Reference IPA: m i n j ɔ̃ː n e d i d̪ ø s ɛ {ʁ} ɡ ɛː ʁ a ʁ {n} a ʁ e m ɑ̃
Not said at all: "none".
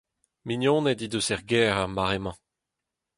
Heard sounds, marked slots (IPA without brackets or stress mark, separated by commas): ʁ, m